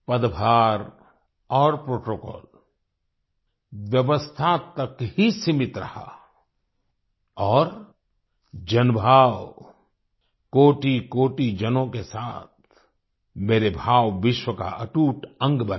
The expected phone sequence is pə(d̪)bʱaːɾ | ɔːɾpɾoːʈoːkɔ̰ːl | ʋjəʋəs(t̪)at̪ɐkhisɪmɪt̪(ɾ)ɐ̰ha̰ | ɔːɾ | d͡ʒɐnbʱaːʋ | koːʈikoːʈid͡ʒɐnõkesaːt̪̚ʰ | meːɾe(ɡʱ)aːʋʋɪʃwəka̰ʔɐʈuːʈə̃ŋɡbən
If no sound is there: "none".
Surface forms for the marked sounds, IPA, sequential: d̪, t̪ʰ, ɾ, bʱ

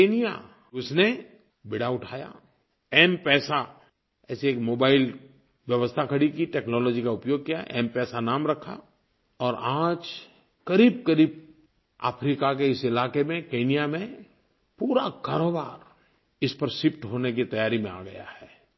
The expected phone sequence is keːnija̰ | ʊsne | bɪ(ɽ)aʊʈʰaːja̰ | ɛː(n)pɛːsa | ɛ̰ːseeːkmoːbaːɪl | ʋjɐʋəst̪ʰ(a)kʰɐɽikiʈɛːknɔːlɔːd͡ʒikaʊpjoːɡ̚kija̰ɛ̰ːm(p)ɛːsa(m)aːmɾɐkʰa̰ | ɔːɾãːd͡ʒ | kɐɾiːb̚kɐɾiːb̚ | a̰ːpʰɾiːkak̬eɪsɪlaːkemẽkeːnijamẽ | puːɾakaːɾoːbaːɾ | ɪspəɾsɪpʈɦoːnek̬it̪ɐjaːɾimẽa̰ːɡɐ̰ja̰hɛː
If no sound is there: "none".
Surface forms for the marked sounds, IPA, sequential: ɽ, m, a, p, n

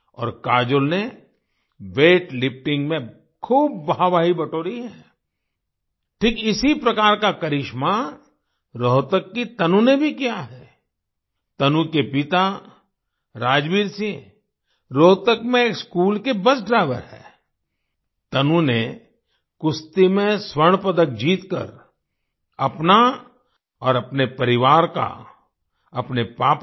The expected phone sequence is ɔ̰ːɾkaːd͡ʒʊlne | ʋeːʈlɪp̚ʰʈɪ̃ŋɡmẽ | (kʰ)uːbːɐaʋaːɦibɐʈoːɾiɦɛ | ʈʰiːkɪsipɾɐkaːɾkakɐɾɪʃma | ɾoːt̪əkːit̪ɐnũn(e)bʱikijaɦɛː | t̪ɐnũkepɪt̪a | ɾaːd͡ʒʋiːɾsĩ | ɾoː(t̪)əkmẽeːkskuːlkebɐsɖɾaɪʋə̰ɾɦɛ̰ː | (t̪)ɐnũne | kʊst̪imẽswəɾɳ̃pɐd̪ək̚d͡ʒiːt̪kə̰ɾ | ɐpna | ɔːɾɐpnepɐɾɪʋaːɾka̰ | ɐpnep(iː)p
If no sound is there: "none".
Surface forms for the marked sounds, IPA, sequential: kʰ, e, t̪, t̪, aː

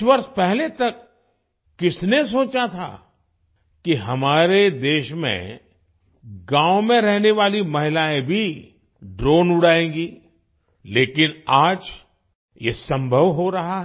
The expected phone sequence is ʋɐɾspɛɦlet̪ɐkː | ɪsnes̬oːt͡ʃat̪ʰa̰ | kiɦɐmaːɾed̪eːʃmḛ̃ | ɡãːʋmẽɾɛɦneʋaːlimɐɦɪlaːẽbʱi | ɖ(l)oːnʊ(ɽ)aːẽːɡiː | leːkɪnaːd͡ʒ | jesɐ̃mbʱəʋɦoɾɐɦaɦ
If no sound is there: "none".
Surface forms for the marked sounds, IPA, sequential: ɾ, ɽ

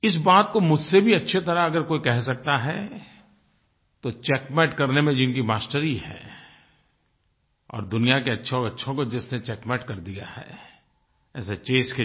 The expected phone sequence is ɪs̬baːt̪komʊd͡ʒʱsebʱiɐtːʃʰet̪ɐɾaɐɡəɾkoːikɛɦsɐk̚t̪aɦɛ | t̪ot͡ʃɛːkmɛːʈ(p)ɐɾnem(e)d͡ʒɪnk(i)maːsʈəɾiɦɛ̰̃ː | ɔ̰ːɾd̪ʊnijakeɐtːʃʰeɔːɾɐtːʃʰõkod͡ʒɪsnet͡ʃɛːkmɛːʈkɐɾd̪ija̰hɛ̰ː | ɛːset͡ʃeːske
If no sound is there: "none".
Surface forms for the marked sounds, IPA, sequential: k, ẽ, i

